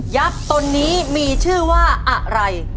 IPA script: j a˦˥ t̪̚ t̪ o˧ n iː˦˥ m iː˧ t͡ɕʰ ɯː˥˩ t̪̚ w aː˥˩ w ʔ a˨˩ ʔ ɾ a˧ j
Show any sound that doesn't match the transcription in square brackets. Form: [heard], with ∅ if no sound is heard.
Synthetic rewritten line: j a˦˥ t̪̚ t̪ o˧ [nː] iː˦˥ m iː˧ t͡ɕʰ ɯː˥˩ [∅] w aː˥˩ [∅] ʔ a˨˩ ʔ ɾ a˧ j

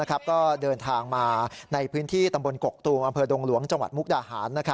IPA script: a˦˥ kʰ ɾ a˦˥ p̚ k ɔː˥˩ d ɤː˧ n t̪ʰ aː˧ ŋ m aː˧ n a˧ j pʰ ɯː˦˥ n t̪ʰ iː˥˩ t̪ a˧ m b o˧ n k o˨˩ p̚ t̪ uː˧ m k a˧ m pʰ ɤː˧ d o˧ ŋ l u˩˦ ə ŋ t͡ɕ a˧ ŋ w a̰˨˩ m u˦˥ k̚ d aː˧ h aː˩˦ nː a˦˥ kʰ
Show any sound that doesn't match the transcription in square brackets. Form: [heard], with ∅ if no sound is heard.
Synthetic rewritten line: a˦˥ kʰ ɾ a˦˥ p̚ k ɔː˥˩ d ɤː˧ n t̪ʰ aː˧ ŋ m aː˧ n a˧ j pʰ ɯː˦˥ n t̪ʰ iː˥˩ t̪ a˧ m b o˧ n k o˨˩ [k̚] t̪ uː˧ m [ʔ] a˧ m pʰ ɤː˧ d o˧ ŋ l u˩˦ ə ŋ t͡ɕ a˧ ŋ w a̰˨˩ m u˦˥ k̚ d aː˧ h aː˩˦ nː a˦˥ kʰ

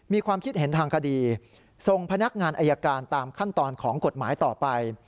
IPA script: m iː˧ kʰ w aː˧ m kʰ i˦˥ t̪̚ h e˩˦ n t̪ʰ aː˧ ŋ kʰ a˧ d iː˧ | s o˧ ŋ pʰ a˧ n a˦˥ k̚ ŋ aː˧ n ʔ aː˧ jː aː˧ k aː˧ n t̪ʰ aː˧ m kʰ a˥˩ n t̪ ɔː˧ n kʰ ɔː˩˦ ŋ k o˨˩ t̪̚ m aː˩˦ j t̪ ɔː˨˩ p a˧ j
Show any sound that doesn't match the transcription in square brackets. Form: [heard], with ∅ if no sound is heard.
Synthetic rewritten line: m iː˧ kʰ w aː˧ m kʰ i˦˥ t̪̚ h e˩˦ n t̪ʰ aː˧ ŋ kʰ a˧ d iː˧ | s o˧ ŋ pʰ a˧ n a˦˥ k̚ ŋ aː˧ n ʔ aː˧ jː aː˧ k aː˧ n [t̪] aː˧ m kʰ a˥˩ n t̪ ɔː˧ n kʰ ɔː˩˦ ŋ k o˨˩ t̪̚ m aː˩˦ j t̪ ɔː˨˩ p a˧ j

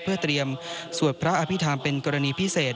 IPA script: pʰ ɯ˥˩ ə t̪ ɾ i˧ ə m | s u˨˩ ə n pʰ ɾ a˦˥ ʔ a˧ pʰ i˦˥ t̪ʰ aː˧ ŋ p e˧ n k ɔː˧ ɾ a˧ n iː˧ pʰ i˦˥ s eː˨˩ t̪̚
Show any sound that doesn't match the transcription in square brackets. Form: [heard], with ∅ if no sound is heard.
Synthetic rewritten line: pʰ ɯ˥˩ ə t̪ ɾ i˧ ə m | s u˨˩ ə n pʰ ɾ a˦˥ ʔ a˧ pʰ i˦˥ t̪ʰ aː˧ [m] p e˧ n k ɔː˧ ɾ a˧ n iː˧ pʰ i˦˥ s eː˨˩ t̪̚

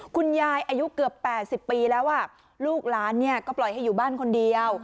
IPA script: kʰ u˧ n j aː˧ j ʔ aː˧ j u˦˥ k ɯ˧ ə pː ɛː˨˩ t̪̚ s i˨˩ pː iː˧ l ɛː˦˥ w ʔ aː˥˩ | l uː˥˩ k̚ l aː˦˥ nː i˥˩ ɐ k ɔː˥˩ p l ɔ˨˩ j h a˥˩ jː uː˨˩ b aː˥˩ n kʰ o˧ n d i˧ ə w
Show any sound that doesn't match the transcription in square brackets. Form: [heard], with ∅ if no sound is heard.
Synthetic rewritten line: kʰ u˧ n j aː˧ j ʔ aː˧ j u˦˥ k [ɯ˨˩] ə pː ɛː˨˩ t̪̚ s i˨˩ pː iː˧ l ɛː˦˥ w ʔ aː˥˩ | l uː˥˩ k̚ l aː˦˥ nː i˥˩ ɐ k ɔː˥˩ p l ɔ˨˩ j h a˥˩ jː uː˨˩ b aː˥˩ n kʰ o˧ n d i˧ ə w

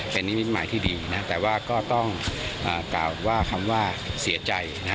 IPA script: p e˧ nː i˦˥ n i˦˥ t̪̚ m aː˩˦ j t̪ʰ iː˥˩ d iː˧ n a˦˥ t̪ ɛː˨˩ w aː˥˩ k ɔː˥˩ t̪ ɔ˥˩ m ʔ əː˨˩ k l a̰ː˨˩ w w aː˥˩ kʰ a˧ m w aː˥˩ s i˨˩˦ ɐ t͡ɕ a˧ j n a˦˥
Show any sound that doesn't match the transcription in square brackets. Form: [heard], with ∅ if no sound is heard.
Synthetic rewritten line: p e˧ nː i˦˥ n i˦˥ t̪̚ m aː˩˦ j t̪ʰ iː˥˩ d iː˧ n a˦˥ t̪ ɛː˨˩ w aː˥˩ k ɔː˥˩ t̪ ɔ˥˩ [ŋ] ʔ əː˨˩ k l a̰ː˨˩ w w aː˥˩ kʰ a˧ m w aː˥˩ s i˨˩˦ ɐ t͡ɕ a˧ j n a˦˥

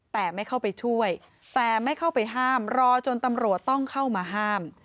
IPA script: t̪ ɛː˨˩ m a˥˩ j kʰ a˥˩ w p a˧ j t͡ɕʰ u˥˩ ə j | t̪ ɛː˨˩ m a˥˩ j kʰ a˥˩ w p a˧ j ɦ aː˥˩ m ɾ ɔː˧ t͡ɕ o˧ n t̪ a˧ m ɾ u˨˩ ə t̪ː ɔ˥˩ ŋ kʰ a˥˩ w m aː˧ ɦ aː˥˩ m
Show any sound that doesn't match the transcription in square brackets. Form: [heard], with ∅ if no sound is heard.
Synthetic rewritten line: t̪ ɛː˨˩ m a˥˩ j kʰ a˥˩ w p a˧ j t͡ɕʰ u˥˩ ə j | t̪ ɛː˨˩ m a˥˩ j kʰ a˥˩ w p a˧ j ɦ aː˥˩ m ɾ ɔː˧ t͡ɕ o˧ n t̪ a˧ m ɾ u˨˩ ə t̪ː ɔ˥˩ ŋ kʰ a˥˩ w m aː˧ ɦ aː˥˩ m

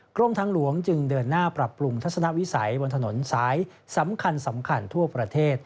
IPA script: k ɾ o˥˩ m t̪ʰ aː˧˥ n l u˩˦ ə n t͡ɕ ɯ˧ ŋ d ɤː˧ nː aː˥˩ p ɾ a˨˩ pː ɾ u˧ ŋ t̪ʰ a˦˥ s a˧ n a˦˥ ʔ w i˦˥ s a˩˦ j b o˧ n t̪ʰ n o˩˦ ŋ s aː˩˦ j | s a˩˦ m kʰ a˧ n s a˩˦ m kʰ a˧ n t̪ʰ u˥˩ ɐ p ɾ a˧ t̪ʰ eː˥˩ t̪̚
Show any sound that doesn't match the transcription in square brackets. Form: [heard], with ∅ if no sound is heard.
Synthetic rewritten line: k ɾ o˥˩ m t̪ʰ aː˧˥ [ŋ] l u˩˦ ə [ŋ] t͡ɕ ɯ˧ ŋ d ɤː˧ nː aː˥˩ p ɾ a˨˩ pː ɾ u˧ ŋ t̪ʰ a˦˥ s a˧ n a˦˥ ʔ w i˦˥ s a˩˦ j b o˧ n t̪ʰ n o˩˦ [n] s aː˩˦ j | s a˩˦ m kʰ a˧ n s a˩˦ m kʰ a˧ n t̪ʰ u˥˩ ɐ p ɾ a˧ t̪ʰ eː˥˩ t̪̚

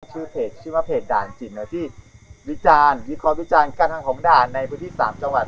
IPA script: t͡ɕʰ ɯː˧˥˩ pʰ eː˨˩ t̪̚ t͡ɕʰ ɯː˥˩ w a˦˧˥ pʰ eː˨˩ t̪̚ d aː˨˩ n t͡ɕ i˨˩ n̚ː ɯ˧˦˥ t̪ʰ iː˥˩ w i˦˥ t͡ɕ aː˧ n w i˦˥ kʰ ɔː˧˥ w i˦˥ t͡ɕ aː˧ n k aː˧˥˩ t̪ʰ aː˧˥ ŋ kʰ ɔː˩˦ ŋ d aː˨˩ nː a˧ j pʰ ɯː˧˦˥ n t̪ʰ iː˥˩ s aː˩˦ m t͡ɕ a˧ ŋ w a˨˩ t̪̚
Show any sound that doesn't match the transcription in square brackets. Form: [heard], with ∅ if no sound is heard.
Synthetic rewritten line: t͡ɕʰ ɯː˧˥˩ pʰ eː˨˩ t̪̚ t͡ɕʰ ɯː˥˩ w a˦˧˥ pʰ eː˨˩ t̪̚ d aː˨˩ n t͡ɕ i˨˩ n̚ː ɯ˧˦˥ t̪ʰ iː˥˩ w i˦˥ t͡ɕ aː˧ n w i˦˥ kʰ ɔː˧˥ w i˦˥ t͡ɕ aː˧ n k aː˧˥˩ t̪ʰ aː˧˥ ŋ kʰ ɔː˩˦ ŋ d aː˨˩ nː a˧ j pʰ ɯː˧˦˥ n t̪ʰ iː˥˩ s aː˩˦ m t͡ɕ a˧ ŋ w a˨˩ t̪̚

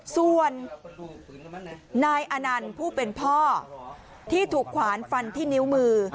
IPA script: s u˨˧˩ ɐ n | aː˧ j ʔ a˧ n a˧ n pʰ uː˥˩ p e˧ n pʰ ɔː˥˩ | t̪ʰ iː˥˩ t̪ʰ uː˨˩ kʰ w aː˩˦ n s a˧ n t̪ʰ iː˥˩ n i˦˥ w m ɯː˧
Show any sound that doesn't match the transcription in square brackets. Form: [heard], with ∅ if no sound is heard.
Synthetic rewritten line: s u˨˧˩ [ə] n | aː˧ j ʔ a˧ n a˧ n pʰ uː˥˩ p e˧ n pʰ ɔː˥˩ | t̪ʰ iː˥˩ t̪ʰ uː˨˩ kʰ w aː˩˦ n [f] a˧ n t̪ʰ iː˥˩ n i˦˥ w m ɯː˧

